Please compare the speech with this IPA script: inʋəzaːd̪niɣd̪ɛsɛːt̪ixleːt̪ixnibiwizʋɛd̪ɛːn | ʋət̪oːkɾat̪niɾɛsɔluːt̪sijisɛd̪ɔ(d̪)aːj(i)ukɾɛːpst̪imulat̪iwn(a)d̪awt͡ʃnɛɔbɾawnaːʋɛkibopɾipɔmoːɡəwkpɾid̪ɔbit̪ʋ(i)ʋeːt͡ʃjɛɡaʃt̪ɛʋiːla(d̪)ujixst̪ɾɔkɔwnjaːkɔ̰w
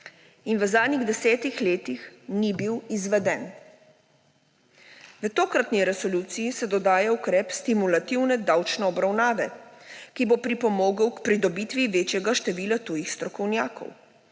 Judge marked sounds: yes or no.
yes, no, no, yes, no

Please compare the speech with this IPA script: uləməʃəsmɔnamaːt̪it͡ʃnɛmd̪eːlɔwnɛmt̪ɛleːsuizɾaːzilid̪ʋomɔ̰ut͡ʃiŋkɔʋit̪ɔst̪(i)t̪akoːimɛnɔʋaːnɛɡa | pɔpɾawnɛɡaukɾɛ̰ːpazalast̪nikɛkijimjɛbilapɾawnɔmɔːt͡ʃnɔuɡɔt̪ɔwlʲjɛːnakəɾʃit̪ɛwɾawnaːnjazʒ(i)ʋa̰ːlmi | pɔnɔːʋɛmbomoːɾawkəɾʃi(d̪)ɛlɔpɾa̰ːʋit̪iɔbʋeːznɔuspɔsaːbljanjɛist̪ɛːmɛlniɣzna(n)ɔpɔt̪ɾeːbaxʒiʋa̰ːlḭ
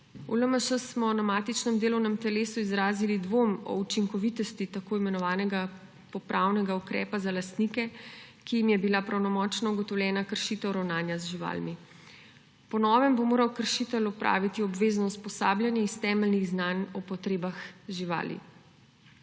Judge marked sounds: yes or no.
yes, yes, no, yes

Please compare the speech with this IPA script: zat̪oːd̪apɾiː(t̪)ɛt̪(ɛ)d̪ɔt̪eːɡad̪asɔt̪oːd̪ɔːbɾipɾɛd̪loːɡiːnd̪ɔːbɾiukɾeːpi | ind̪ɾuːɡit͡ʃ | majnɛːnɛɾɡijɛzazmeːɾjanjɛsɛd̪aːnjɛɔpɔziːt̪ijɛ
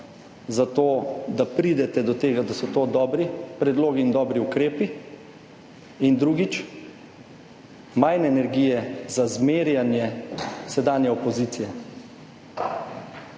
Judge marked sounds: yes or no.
no, yes

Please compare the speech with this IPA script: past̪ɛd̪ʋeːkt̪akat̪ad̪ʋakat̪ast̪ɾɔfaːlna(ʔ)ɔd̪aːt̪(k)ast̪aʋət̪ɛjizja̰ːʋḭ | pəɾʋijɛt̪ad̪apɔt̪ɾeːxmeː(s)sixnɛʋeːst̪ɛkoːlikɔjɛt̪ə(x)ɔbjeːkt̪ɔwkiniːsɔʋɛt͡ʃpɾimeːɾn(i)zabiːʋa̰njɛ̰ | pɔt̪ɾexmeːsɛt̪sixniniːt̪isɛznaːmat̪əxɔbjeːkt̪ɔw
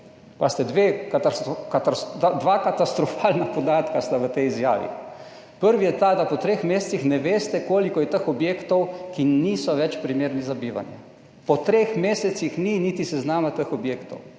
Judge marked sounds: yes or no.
no, yes, yes, yes, yes

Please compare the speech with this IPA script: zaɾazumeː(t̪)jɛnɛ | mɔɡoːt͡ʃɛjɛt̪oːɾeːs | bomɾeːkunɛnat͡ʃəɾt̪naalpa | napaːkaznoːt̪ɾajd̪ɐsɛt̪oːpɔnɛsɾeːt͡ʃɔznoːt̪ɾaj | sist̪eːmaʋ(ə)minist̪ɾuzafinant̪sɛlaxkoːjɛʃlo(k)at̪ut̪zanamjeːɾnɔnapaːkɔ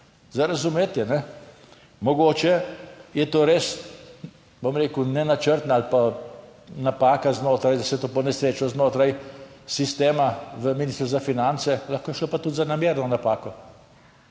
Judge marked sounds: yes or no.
yes, yes, no

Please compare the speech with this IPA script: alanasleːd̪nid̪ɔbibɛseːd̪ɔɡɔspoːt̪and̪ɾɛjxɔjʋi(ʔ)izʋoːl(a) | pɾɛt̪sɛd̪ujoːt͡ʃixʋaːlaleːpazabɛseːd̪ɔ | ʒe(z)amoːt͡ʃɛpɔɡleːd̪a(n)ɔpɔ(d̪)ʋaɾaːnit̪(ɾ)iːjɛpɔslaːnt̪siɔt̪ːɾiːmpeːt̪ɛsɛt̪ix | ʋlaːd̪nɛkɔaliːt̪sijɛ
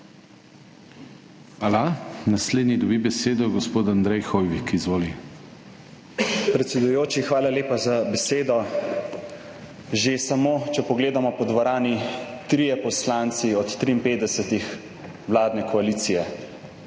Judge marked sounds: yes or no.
no, no, no, no, yes, yes

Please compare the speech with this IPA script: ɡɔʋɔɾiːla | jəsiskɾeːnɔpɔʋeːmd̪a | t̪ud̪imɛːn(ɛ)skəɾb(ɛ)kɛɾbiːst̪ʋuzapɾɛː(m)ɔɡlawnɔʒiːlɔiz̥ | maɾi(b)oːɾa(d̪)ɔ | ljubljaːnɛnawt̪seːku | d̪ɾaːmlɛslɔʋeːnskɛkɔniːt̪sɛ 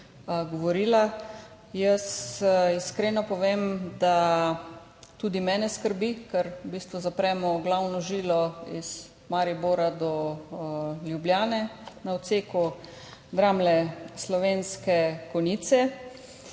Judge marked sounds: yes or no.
yes, no, yes, yes, yes

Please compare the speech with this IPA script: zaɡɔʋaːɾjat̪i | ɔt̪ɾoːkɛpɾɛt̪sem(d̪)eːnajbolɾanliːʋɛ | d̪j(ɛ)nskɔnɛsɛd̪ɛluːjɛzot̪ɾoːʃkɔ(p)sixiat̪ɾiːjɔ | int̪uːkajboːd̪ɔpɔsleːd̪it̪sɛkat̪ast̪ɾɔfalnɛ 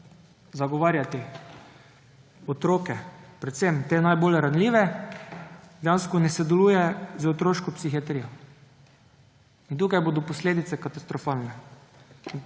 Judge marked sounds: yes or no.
no, no, yes

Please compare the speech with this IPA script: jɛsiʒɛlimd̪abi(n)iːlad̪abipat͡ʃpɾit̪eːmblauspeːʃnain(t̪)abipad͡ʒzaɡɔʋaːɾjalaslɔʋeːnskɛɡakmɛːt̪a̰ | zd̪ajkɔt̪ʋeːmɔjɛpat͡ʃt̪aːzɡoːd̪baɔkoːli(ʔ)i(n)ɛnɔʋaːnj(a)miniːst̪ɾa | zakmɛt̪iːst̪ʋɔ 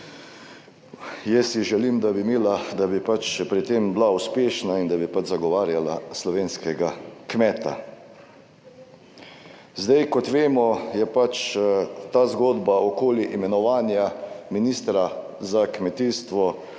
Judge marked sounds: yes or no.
no, no, yes, no, yes

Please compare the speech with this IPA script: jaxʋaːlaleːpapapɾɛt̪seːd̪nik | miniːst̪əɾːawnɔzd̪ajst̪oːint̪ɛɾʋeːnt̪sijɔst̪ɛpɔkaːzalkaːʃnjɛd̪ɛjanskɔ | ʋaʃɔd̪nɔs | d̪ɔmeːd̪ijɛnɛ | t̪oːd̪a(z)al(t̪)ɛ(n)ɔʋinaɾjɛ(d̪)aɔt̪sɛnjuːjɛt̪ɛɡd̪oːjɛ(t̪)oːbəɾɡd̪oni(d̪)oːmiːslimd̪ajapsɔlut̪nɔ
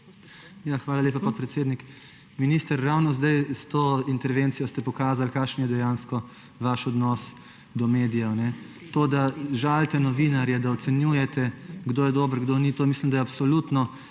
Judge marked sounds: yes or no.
no, yes, yes, yes, no, no

